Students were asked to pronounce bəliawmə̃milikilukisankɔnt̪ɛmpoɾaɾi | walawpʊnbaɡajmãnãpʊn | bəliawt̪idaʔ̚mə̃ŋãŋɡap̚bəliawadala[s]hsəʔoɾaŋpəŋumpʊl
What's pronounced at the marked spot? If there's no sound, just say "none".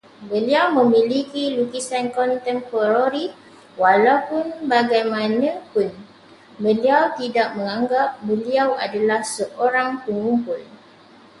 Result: none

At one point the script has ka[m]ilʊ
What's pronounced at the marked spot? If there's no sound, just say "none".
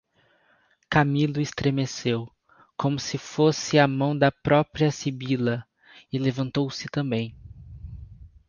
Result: m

